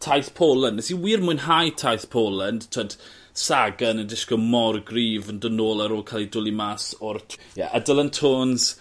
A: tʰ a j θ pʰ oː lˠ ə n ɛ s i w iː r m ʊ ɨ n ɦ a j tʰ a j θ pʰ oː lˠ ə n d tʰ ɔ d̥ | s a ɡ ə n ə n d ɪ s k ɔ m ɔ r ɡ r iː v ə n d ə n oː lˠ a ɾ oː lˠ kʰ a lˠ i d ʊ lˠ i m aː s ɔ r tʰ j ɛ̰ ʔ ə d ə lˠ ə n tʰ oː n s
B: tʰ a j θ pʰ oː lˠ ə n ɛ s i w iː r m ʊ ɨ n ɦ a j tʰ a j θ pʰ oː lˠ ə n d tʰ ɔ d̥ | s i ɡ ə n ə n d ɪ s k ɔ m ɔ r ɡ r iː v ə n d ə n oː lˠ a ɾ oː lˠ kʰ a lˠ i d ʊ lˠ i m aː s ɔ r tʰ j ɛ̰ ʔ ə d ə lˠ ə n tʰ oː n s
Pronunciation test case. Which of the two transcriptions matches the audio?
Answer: A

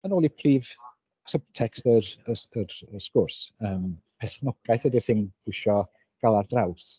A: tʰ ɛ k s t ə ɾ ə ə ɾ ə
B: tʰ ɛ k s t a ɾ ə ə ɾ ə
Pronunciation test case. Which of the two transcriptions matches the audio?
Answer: A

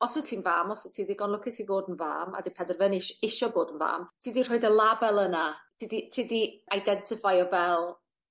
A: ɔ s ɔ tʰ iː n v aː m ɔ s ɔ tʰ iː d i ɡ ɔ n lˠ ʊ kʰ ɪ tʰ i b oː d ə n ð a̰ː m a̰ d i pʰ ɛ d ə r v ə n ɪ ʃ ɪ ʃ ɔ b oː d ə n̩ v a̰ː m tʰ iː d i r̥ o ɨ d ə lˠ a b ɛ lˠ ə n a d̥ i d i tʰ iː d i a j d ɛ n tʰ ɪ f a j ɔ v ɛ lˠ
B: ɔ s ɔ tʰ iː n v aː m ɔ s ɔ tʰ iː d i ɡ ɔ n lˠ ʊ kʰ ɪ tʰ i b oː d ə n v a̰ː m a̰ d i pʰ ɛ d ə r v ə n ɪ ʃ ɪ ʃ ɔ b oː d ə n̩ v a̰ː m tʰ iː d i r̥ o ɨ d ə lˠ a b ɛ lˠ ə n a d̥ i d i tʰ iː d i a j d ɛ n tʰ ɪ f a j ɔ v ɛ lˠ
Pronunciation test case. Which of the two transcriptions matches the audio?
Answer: B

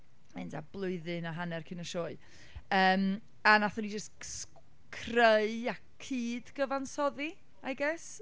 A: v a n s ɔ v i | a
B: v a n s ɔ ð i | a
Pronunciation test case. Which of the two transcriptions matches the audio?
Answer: B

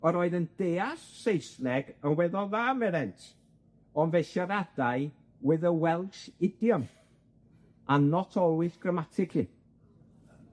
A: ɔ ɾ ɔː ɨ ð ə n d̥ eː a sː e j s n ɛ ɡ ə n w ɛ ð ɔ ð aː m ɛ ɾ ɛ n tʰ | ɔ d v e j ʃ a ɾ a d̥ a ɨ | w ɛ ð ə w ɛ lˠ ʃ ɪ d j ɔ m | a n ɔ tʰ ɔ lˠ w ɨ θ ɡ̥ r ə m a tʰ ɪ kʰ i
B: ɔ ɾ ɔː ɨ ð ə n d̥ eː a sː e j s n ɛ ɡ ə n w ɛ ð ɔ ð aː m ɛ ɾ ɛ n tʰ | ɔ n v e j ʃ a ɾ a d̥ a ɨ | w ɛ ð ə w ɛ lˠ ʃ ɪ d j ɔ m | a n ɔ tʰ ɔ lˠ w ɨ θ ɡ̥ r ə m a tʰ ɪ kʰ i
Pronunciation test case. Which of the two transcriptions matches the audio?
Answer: B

